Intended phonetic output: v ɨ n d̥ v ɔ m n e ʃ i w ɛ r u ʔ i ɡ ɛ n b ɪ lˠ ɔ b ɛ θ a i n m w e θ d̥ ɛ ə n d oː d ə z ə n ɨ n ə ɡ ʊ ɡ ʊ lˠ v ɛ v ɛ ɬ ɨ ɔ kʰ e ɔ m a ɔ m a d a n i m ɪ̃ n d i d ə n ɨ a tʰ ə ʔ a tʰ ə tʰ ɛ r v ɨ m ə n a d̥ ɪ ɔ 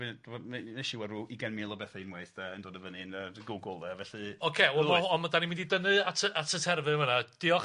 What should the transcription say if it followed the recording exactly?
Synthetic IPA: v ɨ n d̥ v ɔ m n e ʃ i w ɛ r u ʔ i ɡ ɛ n m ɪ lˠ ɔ b ɛ θ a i n m w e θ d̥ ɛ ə n d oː d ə v ə n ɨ n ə ɡ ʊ ɡ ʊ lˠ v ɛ v ɛ ɬ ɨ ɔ kʰ e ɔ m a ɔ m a d a n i m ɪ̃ n d i d ə n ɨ a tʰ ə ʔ a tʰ ə tʰ ɛ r v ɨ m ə n a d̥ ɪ ɔ